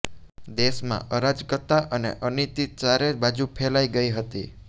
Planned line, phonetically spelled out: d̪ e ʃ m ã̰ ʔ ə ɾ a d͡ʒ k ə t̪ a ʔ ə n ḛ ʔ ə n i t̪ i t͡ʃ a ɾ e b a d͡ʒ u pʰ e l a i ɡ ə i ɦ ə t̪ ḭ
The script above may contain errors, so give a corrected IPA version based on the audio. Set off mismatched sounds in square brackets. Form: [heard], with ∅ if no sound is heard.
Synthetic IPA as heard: d̪ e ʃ m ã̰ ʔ ə ɾ a d͡ʒ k ə t̪ a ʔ ə n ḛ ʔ ə n i t̪ i t͡ʃ a ɾ e b a d͡ʒ u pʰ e l a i ɡ ə i ɦ ə t̪ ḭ